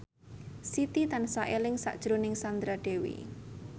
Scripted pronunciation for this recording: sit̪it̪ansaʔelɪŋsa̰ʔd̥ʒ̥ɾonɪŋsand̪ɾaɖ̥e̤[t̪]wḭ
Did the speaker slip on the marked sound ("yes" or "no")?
yes